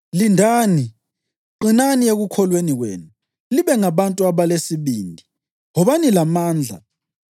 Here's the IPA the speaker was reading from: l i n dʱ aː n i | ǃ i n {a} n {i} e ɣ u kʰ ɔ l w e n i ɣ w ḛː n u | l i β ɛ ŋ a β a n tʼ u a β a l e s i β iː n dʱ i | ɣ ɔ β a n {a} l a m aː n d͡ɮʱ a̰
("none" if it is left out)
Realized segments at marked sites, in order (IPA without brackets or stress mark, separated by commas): a, i, i